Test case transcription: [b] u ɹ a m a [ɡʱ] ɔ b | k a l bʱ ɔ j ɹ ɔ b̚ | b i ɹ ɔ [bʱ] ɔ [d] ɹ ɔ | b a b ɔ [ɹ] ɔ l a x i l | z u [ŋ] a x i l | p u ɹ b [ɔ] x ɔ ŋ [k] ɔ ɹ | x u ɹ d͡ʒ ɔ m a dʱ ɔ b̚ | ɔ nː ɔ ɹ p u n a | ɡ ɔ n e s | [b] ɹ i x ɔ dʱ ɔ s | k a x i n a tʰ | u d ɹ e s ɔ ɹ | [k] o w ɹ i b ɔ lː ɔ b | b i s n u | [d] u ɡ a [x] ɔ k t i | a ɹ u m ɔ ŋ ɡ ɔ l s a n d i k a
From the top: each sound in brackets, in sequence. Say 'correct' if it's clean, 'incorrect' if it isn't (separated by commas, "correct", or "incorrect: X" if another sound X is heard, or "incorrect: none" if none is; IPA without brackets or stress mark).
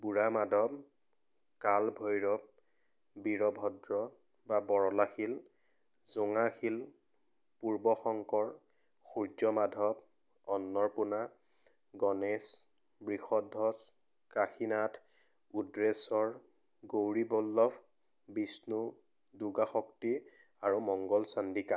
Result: correct, incorrect: dʱ, correct, correct, correct, correct, correct, correct, correct, incorrect: ɡ, correct, correct